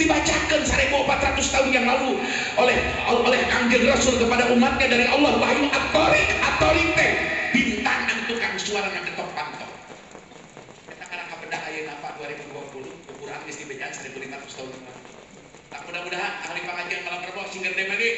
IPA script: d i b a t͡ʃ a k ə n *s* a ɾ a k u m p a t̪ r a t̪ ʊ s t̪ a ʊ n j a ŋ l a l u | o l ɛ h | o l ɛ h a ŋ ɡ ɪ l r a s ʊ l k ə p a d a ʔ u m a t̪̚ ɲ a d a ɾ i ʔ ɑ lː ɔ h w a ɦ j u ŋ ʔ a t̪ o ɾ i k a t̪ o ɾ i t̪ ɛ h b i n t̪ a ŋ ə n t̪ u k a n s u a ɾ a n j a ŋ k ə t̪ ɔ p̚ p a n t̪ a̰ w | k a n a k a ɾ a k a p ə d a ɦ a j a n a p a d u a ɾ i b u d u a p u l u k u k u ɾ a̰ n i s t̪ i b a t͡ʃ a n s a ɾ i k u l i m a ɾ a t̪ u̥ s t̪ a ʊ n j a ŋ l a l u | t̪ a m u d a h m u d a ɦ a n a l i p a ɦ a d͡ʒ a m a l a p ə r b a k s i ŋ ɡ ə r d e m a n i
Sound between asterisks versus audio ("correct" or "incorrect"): correct